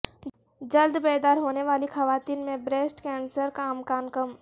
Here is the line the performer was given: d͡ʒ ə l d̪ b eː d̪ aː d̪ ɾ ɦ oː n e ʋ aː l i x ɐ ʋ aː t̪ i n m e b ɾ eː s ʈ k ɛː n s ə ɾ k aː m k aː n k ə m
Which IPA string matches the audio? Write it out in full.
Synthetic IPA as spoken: d͡ʒ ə l d̪ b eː d̪ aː ɾ ɦ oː n e ʋ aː l i x ɐ ʋ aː t̪ iː n m ẽ b ɾ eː s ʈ k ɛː n s ə ɾ k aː m k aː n k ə m